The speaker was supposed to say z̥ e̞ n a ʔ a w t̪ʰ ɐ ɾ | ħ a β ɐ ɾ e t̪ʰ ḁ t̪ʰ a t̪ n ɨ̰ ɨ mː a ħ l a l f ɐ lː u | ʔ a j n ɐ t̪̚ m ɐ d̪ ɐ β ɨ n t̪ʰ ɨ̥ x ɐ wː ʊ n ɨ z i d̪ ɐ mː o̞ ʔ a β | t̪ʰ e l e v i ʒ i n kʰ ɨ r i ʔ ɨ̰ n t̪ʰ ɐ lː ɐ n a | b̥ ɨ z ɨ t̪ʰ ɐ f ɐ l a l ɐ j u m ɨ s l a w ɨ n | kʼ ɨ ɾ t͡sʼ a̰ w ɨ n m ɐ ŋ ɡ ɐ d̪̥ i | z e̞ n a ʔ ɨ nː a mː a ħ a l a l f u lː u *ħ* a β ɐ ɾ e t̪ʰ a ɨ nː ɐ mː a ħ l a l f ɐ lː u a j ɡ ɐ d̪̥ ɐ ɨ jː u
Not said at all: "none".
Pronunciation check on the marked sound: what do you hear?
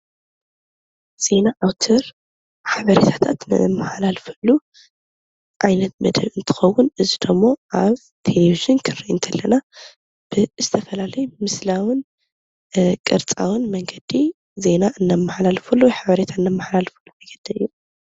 ħ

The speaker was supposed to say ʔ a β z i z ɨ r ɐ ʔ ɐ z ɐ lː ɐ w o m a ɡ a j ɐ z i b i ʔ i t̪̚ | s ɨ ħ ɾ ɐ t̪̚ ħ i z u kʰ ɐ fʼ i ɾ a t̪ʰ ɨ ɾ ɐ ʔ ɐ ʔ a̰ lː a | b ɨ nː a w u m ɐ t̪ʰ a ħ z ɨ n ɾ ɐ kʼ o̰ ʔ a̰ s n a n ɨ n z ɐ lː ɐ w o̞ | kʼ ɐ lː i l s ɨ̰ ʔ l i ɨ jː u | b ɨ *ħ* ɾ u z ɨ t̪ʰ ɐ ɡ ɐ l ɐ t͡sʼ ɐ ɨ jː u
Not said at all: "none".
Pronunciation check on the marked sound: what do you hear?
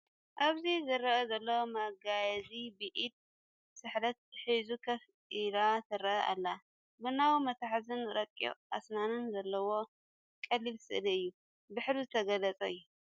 ħ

